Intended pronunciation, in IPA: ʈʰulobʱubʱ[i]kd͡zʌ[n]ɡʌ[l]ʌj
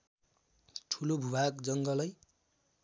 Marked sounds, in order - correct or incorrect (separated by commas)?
incorrect, incorrect, correct